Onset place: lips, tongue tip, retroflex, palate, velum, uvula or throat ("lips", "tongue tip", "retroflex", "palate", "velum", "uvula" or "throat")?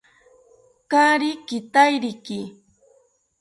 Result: velum